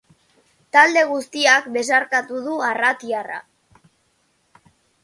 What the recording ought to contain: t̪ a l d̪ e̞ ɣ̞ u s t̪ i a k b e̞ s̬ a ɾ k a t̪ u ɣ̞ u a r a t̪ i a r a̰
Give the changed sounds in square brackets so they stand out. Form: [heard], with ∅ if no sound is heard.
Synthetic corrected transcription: t̪ a l d̪ e̞ ɣ̞ u s t̪ i a k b e̞ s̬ a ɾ k a t̪ u [ð̞] u a r a t̪ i a r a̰